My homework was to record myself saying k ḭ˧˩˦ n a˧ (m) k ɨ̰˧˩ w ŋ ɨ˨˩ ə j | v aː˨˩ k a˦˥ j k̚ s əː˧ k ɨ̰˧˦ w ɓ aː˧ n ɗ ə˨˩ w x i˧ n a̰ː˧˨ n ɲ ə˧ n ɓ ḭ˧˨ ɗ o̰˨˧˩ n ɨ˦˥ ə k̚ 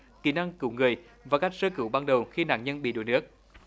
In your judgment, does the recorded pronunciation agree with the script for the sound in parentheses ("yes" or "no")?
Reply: no